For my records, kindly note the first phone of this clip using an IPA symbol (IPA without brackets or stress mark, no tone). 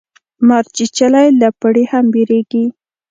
m